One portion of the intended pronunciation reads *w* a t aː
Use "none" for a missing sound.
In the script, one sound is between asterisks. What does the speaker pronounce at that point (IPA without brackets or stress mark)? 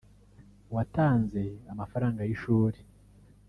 w